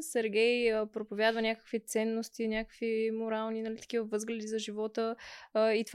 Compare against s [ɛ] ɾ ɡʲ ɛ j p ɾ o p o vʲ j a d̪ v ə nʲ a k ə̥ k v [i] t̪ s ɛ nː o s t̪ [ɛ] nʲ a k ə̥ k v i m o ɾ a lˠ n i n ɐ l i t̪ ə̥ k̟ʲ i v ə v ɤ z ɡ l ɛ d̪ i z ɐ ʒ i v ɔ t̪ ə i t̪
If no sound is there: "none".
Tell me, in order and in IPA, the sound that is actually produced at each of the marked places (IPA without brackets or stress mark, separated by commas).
ɛ, i, i